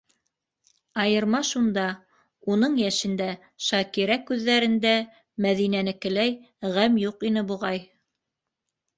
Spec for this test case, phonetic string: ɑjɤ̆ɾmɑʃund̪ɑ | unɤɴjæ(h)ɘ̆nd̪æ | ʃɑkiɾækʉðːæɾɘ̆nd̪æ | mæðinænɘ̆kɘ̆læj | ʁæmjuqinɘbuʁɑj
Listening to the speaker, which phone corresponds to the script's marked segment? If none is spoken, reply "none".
ʃ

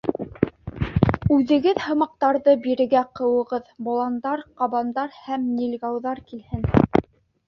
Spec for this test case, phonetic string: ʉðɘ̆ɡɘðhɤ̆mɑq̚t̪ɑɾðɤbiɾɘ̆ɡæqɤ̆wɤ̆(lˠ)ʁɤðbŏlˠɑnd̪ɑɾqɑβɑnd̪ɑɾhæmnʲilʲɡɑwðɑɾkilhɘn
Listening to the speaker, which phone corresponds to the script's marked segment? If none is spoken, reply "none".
none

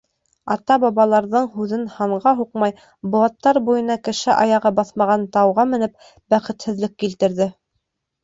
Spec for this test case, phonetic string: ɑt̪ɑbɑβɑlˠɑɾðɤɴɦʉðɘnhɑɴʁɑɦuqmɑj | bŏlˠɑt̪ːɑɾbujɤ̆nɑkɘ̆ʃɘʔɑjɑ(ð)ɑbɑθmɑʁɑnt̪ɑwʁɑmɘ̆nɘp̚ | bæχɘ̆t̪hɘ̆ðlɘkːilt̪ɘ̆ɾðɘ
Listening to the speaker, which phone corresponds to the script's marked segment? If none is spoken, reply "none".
ʁ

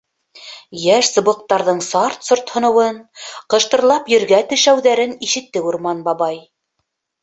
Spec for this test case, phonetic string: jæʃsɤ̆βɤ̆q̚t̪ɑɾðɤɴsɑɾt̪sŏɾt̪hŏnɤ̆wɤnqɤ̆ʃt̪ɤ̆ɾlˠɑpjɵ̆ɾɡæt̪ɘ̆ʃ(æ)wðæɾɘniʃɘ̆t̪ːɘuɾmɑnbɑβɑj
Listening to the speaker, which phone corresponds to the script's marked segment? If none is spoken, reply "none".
æ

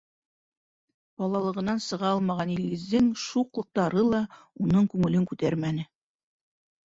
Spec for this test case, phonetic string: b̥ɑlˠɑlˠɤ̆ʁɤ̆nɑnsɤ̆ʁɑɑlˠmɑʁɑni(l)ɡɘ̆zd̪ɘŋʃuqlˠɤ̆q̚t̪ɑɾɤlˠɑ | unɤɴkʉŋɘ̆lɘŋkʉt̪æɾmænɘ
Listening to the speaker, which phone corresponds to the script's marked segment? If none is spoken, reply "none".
l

